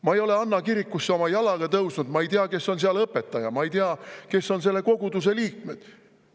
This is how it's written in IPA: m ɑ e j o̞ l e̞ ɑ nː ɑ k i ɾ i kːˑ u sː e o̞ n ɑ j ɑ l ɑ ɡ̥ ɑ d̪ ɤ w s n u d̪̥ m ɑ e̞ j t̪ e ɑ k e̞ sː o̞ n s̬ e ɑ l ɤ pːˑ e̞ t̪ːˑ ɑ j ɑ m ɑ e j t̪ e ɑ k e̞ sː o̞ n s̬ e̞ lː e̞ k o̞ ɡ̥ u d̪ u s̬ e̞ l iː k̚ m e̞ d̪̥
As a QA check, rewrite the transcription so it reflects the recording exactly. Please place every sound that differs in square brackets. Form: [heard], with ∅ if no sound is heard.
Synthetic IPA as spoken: m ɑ e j o̞ l e̞ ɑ nː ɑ k i ɾ i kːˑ u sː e o̞ [m] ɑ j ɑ l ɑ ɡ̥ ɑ [t̪] ɤ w s n u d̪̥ m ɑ e̞ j t̪ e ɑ k e̞ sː o̞ n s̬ e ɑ l ɤ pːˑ e̞ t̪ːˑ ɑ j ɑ m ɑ e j t̪ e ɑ k e̞ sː o̞ n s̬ e̞ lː e̞ k o̞ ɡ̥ u d̪ u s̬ e̞ l iː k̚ m e̞ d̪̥